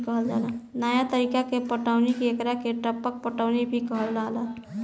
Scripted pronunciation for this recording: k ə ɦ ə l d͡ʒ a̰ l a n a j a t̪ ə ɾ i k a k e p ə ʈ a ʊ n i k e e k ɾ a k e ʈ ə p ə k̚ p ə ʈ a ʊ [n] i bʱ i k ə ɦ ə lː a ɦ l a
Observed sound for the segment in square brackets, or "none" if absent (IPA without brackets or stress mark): n